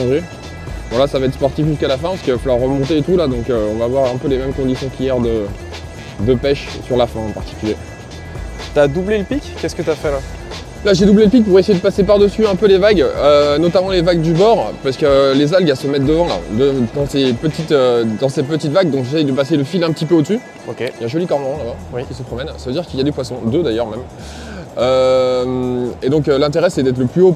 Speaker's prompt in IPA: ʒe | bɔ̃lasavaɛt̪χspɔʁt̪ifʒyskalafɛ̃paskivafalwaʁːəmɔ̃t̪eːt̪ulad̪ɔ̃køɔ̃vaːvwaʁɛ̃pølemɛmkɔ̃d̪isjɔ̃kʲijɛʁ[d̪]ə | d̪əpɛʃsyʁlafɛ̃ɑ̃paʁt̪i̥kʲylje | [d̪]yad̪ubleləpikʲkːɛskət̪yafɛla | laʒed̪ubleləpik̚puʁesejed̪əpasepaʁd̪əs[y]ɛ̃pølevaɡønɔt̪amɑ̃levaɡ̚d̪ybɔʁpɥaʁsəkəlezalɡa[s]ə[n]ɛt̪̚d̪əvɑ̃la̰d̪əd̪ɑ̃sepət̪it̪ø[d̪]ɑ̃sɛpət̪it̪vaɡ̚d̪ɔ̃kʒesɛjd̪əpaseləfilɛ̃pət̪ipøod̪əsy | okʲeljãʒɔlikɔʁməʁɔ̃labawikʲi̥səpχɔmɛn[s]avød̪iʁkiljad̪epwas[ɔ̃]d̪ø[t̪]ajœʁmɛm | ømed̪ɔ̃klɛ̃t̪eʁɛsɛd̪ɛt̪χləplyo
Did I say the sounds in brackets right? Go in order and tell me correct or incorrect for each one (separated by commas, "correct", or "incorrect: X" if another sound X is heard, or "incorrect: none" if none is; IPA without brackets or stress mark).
correct, incorrect: t̪, correct, correct, incorrect: m, correct, correct, correct, incorrect: d̪